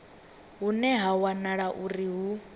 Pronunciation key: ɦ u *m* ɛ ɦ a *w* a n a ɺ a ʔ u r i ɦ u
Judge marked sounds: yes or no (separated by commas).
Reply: no, yes